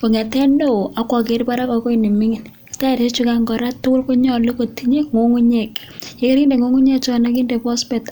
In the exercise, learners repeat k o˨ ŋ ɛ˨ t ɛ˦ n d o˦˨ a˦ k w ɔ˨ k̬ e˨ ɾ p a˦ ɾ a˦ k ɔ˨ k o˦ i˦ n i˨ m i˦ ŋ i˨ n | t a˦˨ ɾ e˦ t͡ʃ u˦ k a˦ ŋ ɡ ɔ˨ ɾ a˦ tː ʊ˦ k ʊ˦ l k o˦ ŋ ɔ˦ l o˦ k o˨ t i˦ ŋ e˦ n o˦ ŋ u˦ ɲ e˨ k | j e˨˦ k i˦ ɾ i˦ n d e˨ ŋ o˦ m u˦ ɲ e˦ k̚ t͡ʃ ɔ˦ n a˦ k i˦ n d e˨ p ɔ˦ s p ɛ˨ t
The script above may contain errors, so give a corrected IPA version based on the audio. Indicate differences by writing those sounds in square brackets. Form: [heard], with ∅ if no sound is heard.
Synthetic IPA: k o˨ ŋ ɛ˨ t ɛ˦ n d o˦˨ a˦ k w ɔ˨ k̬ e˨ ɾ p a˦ ɾ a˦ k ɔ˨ k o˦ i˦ n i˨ m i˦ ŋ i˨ n | t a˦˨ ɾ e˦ t͡ʃ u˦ k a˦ ŋ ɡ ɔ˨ ɾ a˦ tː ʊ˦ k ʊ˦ l k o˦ [ɲ] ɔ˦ l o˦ k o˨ t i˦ [ɲ] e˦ [ŋ] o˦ ŋ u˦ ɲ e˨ k | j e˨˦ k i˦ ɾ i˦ n d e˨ ŋ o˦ [ŋ] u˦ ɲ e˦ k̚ t͡ʃ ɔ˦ n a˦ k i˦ n d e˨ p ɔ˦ s p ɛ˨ t